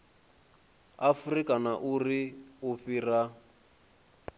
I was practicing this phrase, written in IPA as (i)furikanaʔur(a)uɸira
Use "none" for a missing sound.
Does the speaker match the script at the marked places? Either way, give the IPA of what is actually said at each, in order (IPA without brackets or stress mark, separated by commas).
a, i